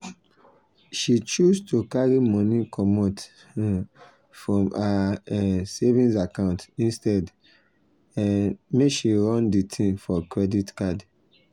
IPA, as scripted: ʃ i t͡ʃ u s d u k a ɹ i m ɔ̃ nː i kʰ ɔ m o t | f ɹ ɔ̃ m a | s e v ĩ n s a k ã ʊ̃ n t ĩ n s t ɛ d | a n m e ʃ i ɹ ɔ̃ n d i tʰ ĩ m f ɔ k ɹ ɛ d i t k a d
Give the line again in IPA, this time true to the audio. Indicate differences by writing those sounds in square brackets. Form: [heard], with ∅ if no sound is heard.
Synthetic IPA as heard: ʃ i t͡ʃ u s [t] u k a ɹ i m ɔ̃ [n] i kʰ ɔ m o t | f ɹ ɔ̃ m a | s e v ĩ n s a k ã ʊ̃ n t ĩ n s t ɛ d | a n m e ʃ i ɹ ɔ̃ n d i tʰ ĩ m f ɔ k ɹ ɛ d i t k a d